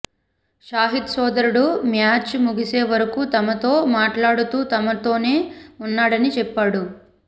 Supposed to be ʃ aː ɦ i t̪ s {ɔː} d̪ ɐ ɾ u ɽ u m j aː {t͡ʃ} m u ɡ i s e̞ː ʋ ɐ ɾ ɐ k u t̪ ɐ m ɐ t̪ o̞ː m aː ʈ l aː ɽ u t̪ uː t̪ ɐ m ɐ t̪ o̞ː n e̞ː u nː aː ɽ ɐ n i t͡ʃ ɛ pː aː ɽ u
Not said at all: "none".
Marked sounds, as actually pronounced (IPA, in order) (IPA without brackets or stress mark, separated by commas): ɔː, t͡ʃ